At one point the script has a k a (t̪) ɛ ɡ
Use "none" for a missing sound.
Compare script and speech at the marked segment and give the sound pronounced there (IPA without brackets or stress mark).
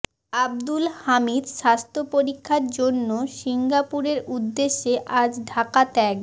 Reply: t̪